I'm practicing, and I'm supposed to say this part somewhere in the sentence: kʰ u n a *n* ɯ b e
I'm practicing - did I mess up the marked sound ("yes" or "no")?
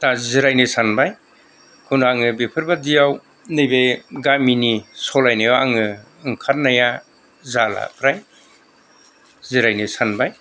yes